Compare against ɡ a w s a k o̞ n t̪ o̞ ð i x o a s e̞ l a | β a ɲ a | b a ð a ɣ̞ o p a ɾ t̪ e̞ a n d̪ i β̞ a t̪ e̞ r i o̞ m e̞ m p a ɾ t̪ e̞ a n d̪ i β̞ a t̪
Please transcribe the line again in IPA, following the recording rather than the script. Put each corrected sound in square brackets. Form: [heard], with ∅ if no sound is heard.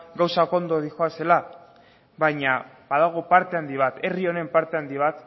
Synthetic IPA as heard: ɡ a w s a k o̞ n [d̪] o̞ ð i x o a s e̞ l a | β a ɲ a | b a ð a ɣ̞ o p a ɾ t̪ e̞ a n d̪ i β̞ a t̪ e̞ r i o̞ [n] e̞ m p a ɾ t̪ e̞ a n d̪ i β̞ a t̪